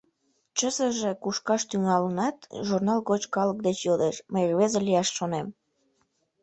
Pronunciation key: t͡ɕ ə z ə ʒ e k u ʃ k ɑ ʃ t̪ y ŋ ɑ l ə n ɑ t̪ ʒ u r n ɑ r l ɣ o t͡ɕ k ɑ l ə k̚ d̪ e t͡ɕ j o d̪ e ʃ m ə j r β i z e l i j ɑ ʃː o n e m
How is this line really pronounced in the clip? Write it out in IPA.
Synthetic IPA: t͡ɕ ə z ə ʒ e k u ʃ k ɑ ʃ t̪ y ŋ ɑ l ə n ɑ t̪ ʒ u r n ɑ l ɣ o t͡ɕ k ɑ l ə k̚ d̪ e t͡ɕ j o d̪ e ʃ m ə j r β e z e l i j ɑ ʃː o n e m

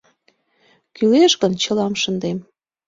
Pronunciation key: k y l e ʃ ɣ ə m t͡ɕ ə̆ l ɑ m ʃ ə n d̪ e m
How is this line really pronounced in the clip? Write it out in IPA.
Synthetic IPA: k y l e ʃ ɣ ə n t͡ɕ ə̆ l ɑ m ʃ ə n d̪ e m

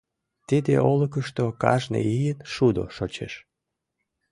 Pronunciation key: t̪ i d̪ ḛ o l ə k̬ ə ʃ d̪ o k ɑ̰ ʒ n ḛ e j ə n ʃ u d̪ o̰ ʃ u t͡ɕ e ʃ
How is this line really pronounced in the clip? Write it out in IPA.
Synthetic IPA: t̪ i d̪ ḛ o l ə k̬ ə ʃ t̪ o k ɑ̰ ʒ n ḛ i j ə n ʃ u d̪ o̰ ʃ o t͡ɕ e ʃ

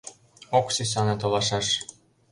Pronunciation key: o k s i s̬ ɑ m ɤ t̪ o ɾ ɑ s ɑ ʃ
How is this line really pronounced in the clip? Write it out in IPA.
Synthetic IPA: o k s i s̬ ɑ n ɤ t̪ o l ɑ ʃ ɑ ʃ

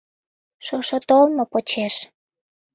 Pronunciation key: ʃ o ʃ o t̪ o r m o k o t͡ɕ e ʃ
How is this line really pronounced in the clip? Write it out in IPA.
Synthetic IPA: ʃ o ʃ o t̪ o l m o p o t͡ɕ e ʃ

